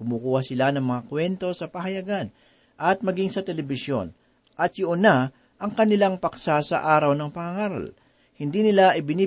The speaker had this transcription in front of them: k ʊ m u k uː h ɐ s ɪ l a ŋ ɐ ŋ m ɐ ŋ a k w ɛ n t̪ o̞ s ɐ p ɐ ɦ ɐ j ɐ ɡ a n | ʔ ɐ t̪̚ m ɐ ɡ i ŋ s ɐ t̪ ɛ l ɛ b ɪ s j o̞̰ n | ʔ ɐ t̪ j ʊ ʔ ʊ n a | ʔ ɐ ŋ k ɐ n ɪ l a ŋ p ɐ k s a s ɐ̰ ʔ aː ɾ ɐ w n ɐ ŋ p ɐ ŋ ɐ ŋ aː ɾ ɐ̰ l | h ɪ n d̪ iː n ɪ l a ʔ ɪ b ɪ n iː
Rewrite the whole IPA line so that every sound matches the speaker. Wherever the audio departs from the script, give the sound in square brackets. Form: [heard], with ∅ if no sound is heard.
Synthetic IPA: k ʊ m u k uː h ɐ s ɪ l a [n] ɐ ŋ m ɐ ŋ a k w ɛ n t̪ o̞ s ɐ p ɐ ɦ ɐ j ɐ ɡ a n | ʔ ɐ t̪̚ m ɐ ɡ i ŋ s ɐ t̪ ɛ l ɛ b ɪ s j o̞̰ n | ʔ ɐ t̪ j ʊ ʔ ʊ n a | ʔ ɐ ŋ k ɐ n ɪ l a ŋ p ɐ k s a s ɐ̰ ʔ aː ɾ ɐ w n ɐ ŋ p ɐ ŋ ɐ ŋ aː ɾ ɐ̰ l | h ɪ n d̪ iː n ɪ l a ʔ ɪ b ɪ n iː